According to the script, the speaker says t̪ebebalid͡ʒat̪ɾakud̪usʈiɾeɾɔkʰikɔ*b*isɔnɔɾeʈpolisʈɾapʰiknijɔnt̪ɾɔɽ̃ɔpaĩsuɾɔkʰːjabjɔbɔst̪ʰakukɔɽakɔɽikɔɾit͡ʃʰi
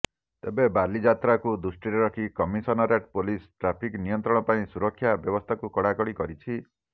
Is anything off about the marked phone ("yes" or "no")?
yes